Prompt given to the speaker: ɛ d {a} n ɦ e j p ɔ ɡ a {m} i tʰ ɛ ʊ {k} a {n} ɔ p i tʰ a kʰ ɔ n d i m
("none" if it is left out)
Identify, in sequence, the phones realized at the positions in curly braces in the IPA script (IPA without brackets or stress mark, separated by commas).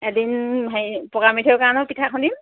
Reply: i, m, k, n